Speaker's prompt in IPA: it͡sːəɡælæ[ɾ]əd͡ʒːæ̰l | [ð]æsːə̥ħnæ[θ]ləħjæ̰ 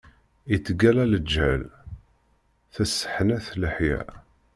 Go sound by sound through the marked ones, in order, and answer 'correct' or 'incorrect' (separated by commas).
incorrect, incorrect, correct